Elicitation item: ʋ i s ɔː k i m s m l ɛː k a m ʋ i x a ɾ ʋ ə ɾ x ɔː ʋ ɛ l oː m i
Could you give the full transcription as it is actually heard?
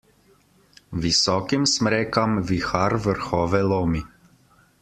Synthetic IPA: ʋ i s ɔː k i m s m ɾ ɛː k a m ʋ i x a ɾ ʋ ə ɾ x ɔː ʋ ɛ l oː m i